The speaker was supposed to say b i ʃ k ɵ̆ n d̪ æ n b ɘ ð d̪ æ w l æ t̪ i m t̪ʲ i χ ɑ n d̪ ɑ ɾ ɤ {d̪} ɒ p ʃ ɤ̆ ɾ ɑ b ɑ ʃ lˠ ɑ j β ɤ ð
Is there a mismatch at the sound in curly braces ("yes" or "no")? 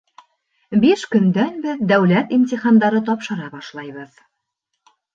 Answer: yes